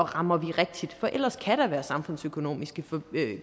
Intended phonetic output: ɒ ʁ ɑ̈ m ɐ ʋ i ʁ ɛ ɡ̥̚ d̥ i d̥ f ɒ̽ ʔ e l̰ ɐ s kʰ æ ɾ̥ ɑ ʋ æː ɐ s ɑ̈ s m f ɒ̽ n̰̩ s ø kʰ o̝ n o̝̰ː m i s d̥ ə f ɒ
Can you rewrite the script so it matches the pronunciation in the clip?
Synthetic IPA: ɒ ʁ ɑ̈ m ɐ ʋ i ʁ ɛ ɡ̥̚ d̥ i d̥ f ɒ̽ ʔ e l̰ ɐ s kʰ æ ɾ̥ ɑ ʋ æː ɐ s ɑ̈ m f ɔ̽ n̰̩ s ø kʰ o̝ n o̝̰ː m i s ɡ̥ ə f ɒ